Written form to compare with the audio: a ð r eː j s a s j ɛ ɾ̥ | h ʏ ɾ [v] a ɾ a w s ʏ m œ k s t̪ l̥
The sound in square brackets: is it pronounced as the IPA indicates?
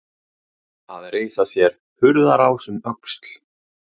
no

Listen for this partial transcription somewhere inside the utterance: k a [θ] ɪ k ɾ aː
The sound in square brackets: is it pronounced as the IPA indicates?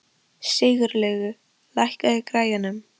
no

